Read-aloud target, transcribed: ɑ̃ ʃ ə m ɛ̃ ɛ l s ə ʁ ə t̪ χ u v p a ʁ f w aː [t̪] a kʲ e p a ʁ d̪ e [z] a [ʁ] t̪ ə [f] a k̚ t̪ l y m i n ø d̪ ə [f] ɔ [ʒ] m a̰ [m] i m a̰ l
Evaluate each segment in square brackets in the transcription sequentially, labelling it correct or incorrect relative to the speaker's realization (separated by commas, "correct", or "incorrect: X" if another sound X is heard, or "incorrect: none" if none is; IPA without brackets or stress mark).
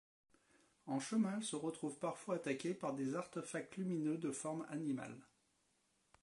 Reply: correct, correct, correct, correct, correct, incorrect: ʁ, incorrect: n